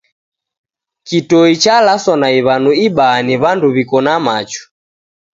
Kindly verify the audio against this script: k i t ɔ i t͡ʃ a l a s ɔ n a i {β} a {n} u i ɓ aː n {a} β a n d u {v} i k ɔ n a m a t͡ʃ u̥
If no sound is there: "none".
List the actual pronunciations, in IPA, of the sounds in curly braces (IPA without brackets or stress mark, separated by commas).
β, n, i, β